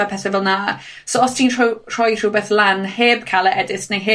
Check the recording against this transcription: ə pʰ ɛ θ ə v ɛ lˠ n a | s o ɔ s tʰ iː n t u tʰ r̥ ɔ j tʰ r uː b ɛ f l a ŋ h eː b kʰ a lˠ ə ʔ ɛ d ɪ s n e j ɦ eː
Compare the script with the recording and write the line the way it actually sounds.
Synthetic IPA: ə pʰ ɛ θ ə v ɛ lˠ n a | s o ɔ s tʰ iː n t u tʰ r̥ ɔ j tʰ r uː b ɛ θ l a n h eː b kʰ a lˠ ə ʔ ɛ d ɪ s n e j ɦ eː